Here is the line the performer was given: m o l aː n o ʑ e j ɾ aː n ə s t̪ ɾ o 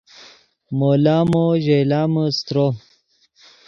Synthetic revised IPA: m o l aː m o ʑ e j l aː m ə s t̪ ɾ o